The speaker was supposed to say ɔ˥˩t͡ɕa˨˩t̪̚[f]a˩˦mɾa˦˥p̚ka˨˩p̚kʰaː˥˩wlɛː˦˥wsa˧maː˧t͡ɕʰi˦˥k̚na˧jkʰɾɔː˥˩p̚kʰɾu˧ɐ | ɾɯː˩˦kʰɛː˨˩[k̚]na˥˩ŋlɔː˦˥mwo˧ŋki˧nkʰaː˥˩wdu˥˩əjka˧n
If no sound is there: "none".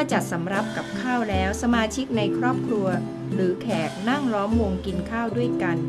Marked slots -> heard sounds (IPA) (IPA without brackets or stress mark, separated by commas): s, k̚